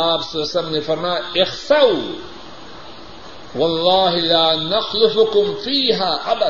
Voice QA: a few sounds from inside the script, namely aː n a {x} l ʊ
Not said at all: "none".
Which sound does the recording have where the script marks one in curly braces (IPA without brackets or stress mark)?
x